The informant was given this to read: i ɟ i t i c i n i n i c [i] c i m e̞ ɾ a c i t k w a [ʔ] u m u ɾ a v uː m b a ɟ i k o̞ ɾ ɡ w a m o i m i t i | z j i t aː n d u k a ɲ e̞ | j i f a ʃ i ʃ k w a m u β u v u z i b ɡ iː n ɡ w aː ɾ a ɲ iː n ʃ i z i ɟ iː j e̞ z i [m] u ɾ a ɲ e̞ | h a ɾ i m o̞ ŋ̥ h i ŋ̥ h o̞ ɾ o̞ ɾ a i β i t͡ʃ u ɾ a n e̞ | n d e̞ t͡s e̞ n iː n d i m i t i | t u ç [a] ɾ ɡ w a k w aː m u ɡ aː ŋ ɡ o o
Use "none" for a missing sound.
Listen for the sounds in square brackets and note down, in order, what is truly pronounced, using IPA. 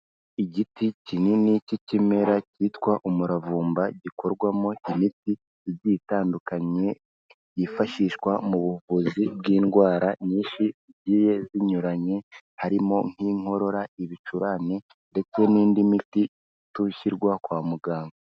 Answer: i, ʔ, ɲ, i

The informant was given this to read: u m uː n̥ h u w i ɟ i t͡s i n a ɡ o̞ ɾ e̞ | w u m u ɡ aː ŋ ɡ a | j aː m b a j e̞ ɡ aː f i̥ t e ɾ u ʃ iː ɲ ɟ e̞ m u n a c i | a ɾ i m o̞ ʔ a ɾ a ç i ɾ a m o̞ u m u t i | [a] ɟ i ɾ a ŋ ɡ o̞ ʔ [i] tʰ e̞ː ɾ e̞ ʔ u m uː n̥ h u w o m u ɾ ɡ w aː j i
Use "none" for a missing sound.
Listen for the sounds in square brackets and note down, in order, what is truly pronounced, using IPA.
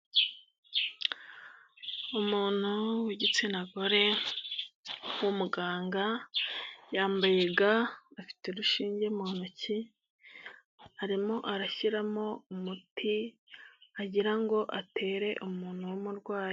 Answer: a, a

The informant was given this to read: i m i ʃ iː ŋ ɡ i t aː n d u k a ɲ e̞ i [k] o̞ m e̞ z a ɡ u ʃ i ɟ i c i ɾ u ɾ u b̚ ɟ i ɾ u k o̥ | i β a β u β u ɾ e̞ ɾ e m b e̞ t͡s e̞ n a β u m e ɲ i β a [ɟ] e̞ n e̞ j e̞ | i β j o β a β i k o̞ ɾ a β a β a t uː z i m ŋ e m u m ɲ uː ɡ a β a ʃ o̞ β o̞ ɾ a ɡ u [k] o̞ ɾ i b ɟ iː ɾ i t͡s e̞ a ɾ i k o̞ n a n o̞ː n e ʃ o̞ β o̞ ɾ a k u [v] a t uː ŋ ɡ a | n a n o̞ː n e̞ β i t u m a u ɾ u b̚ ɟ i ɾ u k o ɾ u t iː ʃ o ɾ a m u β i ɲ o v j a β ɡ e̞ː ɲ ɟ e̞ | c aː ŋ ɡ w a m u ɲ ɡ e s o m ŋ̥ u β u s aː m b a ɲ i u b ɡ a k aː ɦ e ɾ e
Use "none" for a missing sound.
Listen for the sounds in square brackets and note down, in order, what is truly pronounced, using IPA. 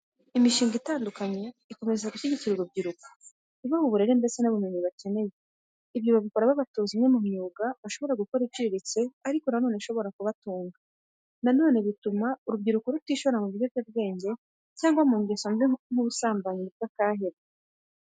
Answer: k, c, k, β

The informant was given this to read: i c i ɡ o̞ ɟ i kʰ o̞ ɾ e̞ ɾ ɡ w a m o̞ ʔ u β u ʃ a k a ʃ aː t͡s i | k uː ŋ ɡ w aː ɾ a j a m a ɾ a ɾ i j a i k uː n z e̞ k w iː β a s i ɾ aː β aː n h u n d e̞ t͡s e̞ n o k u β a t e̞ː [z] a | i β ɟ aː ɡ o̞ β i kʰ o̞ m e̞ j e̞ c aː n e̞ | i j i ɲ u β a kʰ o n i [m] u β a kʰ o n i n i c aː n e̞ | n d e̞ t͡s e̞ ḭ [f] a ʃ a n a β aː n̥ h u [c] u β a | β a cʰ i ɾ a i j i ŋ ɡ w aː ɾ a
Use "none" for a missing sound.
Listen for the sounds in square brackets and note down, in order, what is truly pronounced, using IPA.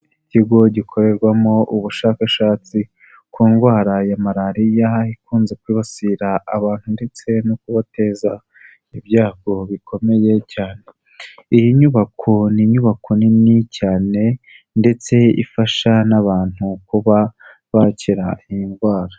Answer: z, ɲ, f, k

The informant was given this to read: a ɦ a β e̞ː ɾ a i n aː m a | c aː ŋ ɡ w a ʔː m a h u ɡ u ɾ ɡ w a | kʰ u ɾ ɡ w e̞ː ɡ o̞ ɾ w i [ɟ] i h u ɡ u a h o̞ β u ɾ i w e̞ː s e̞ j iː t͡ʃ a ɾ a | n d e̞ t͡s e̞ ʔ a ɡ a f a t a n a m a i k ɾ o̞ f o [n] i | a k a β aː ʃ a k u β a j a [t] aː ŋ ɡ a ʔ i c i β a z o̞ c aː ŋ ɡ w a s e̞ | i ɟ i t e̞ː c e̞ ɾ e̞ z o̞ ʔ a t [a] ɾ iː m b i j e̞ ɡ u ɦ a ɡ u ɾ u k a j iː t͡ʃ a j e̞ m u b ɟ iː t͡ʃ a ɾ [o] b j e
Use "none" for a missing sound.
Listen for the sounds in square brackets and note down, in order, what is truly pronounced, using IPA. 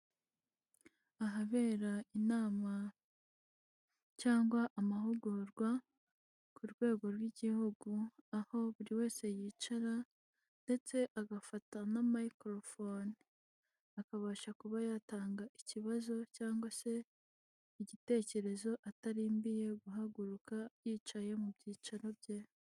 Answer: ɟ, n, t, a, o

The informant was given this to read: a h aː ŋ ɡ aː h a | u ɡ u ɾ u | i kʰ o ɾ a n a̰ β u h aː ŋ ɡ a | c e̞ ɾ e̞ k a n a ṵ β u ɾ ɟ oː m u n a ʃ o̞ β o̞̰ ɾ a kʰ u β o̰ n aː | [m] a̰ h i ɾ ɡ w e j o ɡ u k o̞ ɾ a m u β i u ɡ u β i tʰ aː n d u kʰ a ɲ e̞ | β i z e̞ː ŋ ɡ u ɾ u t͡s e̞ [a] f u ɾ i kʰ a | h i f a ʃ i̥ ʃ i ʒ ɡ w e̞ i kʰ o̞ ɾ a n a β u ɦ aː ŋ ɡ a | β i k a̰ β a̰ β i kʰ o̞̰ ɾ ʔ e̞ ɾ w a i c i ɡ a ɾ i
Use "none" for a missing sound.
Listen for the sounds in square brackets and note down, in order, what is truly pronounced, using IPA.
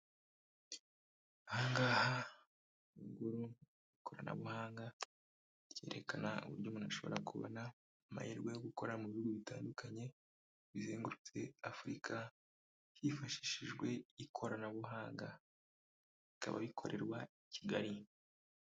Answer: m, a

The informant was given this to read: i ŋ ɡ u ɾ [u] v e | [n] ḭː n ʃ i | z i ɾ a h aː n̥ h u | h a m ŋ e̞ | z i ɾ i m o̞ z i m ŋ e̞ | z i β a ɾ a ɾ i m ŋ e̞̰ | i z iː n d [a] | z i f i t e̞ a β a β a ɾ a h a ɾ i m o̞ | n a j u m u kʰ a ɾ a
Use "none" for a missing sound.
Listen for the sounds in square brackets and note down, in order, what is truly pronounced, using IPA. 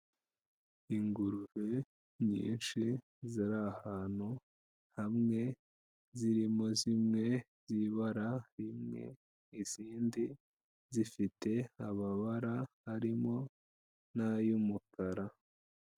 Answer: u, ɲ, i

